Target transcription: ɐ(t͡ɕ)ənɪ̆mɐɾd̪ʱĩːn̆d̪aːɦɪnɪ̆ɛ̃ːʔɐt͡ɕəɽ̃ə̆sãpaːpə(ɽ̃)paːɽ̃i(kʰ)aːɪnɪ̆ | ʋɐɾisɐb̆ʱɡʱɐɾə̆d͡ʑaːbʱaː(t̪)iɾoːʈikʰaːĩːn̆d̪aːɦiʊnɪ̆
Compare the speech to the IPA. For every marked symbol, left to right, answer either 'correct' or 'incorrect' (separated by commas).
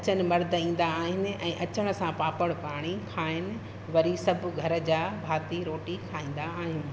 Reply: correct, correct, correct, correct